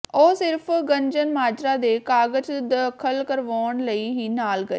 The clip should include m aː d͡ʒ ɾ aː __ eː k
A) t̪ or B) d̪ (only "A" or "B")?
B